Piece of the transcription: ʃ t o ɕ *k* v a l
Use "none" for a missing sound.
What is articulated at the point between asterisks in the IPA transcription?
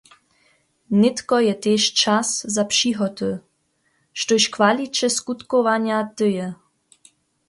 k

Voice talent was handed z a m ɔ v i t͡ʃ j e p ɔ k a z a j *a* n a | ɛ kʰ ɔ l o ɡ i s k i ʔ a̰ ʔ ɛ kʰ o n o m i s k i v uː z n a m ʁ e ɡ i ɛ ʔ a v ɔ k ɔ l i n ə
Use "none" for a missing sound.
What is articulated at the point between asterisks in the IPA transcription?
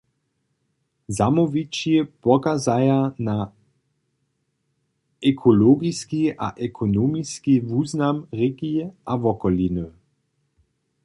a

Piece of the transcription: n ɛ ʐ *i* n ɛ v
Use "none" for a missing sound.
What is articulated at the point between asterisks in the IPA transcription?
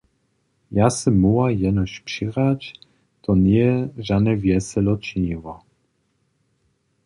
a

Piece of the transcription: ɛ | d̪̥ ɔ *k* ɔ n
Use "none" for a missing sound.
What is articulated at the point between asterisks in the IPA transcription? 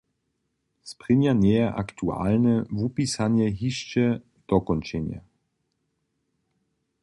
k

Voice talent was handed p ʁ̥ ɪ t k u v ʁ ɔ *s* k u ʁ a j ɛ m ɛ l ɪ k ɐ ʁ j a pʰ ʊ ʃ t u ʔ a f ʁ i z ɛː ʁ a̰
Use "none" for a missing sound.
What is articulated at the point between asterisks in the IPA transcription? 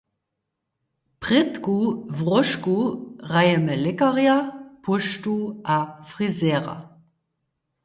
ʃ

